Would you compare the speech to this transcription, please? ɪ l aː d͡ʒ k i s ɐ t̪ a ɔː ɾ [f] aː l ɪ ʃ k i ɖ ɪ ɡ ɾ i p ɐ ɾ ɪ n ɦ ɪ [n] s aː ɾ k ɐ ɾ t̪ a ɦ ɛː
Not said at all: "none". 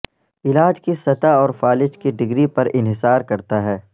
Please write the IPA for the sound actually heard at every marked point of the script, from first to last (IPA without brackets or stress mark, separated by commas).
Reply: f, none